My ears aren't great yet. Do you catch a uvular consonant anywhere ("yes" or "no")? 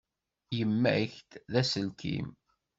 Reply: no